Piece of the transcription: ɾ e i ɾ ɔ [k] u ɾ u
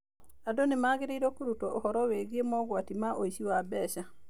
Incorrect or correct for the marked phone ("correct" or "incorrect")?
correct